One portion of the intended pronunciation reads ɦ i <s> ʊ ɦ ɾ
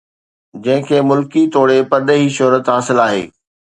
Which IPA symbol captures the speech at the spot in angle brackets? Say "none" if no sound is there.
ʃ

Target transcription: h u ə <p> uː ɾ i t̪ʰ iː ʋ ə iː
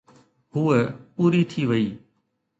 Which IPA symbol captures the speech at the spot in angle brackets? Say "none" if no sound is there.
p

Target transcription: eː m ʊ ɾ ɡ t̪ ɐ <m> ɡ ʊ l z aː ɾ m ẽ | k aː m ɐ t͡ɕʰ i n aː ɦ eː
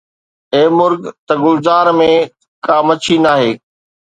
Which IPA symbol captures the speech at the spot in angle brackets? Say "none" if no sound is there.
none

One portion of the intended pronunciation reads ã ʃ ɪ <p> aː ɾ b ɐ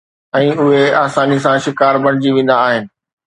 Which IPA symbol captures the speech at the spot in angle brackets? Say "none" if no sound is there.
k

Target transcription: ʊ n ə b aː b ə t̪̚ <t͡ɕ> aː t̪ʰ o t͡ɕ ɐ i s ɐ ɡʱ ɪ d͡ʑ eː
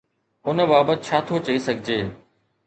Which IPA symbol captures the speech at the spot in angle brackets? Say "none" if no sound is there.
t͡ɕʰ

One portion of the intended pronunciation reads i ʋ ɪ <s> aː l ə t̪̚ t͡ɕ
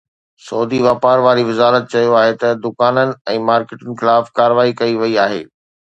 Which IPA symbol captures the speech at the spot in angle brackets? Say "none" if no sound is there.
z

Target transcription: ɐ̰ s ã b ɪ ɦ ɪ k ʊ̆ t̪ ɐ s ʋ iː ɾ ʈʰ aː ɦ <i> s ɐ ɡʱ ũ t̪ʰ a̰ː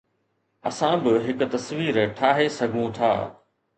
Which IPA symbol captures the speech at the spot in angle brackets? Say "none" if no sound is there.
e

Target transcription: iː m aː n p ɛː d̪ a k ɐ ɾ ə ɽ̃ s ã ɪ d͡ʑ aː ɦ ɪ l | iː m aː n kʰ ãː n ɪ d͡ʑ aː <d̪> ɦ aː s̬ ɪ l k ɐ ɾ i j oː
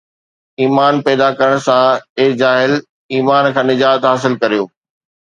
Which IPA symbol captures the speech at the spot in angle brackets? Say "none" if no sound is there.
t̪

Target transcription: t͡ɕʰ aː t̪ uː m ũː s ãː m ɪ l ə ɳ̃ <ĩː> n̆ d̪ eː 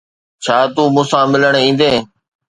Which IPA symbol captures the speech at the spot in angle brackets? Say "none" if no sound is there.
ĩː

